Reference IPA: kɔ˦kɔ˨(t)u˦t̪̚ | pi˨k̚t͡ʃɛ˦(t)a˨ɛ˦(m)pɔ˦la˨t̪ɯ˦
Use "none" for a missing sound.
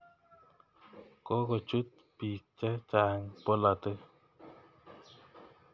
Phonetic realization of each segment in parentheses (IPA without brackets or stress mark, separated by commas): t͡ʃ, t͡ʃ, ŋ